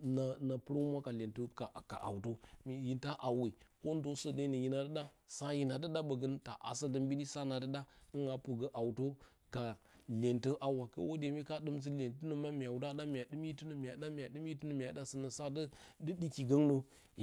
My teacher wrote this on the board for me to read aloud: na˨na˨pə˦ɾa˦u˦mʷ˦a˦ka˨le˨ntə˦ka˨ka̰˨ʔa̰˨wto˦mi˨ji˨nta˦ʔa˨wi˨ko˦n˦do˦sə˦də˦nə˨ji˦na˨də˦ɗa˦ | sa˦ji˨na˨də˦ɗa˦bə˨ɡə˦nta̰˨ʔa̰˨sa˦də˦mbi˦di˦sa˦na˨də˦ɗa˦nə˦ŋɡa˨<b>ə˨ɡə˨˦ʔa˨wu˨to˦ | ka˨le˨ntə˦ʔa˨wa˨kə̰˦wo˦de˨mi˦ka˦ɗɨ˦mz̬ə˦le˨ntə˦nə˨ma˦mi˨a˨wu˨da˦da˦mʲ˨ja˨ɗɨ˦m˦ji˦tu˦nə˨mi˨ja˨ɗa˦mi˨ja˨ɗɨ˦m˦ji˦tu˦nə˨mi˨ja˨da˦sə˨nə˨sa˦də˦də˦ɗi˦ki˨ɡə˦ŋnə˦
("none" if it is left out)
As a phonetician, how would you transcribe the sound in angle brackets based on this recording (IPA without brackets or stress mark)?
p